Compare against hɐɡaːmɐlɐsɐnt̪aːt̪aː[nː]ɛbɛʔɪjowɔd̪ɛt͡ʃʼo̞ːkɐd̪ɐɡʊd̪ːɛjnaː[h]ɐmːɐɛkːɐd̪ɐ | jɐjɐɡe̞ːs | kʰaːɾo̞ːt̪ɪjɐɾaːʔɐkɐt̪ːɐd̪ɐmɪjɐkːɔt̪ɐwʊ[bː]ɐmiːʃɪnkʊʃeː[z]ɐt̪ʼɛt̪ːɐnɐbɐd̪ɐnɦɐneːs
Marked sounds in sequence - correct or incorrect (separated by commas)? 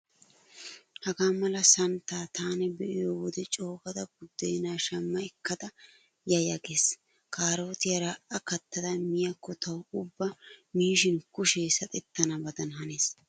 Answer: incorrect, incorrect, correct, incorrect